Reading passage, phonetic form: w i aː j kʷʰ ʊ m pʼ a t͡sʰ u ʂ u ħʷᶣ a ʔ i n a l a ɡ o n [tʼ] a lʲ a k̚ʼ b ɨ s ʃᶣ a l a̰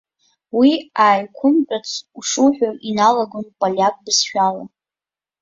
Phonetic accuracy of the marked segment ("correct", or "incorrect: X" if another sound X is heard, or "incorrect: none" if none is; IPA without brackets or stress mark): incorrect: pʼ